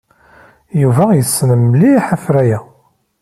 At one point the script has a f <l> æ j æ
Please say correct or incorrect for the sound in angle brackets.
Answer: incorrect